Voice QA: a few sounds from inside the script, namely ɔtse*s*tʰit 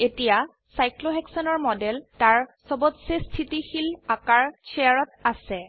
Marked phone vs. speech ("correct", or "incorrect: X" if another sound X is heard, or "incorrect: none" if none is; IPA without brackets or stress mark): correct